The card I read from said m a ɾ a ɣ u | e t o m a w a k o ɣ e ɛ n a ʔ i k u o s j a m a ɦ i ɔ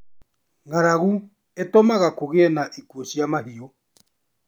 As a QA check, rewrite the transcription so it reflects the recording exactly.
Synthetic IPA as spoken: ŋ a ɾ a ɣ u | e t o m a ɣ a k o ɣ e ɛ n a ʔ i k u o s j a m a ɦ i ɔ